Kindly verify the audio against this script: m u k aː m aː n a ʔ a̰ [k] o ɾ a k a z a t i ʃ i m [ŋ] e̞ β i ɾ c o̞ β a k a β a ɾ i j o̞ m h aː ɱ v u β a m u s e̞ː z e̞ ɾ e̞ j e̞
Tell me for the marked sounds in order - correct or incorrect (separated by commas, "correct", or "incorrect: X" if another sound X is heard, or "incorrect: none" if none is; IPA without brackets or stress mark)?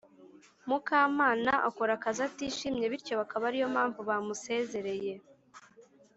correct, incorrect: ɲ